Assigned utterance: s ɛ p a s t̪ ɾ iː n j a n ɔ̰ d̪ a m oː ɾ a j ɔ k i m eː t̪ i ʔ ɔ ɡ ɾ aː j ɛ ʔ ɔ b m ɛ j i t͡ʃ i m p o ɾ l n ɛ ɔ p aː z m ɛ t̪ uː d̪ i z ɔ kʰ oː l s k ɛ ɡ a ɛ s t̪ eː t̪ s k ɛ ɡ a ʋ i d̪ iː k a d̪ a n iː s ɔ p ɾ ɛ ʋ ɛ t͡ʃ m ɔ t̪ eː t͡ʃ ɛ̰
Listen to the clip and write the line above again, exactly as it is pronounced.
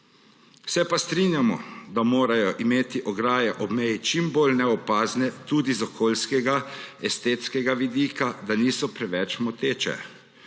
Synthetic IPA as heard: s ɛ p a s t̪ ɾ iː n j a m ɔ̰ d̪ a m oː ɾ a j ɔ ʔ i m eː t̪ i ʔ ɔ ɡ ɾ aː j ɛ ʔ ɔ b m ɛ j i t͡ʃ i m b o l n ɛ ɔ p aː z n ɛ t̪ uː d̪ i z ɔ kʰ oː l s k ɛ ɡ a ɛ s t̪ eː t̪ s k ɛ ɡ a ʋ i d̪ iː k a d̪ a n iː s ɔ p ɾ ɛ ʋ ɛ t͡ʃ m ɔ t̪ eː t͡ʃ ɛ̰